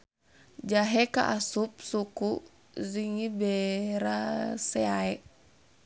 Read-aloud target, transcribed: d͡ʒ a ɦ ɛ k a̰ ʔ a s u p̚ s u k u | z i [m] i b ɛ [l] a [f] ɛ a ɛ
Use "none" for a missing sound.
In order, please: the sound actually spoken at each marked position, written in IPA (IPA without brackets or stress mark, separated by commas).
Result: ŋ, ɾ, s